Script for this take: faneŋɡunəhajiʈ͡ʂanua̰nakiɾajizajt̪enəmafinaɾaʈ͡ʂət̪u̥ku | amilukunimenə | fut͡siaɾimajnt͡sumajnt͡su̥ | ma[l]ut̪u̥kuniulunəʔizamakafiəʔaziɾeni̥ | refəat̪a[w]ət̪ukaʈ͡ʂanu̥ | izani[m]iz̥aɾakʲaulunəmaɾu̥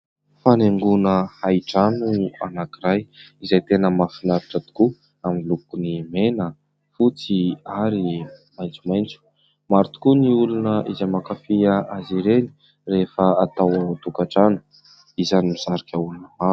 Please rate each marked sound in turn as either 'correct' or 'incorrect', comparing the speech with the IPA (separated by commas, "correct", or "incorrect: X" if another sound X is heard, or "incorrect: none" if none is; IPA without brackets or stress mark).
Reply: incorrect: ɾ, correct, correct